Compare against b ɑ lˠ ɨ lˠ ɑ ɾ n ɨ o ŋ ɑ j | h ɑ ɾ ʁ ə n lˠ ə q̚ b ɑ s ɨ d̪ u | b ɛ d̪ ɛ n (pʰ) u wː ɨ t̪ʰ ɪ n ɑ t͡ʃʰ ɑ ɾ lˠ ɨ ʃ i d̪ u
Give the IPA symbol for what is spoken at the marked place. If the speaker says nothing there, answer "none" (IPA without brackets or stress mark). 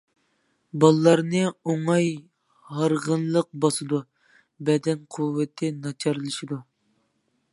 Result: qʰ